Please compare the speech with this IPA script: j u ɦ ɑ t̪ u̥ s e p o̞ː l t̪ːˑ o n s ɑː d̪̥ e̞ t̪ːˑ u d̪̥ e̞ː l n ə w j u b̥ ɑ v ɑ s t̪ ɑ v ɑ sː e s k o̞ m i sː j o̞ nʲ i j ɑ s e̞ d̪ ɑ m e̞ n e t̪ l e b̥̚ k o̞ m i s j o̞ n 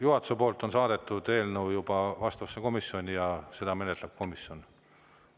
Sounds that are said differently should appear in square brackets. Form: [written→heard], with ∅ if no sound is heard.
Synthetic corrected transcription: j u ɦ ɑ t̪ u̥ s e p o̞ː l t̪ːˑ o n s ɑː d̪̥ e̞ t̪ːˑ u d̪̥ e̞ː l n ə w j u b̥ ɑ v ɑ s t̪ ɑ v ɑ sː e [s→∅] k o̞ m i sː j o̞ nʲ i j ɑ s e̞ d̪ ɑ m e̞ n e t̪ l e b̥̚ k o̞ m i s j o̞ n